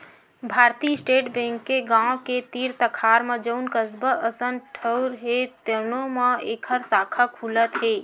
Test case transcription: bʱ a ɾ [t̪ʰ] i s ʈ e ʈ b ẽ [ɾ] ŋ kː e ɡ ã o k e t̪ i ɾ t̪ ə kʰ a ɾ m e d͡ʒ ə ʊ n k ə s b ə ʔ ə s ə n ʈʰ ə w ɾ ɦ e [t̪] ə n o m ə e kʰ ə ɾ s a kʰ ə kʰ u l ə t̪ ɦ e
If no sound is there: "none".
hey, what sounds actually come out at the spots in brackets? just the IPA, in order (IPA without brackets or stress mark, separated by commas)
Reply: t̪, none, t̪